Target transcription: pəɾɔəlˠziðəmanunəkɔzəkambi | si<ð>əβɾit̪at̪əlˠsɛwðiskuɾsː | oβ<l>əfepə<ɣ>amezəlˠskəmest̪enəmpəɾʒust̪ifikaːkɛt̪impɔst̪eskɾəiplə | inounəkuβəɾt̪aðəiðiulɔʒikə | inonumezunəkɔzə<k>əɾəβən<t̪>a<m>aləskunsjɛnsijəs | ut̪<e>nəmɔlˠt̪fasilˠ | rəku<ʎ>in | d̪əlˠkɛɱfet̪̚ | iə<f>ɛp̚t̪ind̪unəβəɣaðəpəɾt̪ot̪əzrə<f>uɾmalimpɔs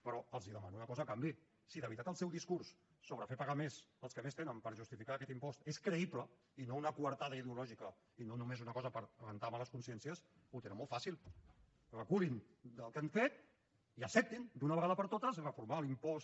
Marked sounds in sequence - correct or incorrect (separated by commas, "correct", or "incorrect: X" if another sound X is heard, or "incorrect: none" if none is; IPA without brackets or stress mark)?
correct, incorrect: ɾ, correct, incorrect: p, correct, correct, correct, incorrect: l, incorrect: s, correct